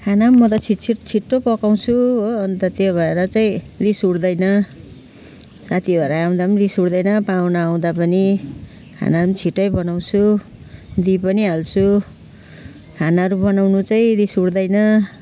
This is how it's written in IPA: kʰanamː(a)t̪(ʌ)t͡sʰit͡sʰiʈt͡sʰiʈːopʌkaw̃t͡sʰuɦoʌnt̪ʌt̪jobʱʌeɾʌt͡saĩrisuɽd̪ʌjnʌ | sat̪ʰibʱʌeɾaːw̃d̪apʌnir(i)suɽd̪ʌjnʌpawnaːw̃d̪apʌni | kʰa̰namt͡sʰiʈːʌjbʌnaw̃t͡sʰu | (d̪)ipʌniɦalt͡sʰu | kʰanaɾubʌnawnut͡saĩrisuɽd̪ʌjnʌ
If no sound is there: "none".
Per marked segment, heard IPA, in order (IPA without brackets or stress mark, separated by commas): ʌ, ʌ, i, d̪